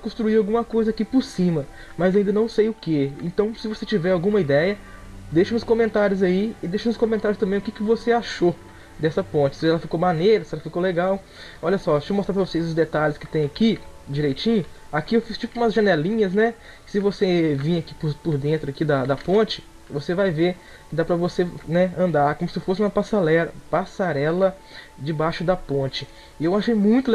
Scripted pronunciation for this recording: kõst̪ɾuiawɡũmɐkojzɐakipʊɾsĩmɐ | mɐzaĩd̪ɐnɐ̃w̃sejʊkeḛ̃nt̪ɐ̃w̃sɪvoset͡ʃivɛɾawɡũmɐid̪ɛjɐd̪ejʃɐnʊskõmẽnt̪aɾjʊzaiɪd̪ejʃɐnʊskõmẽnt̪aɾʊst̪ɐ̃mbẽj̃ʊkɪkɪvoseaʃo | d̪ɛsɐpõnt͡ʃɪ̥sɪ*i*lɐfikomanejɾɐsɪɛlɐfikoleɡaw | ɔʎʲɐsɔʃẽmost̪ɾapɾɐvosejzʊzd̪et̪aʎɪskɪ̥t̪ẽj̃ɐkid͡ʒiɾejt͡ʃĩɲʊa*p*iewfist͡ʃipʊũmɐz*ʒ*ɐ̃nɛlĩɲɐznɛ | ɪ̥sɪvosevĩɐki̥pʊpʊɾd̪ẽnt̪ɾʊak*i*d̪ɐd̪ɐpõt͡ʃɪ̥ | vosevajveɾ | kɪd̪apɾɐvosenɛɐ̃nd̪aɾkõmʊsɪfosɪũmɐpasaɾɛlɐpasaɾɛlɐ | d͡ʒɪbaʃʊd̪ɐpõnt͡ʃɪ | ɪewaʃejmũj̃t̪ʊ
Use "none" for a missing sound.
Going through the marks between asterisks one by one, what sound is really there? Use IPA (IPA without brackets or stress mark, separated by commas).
ɛ, k, ʒ, i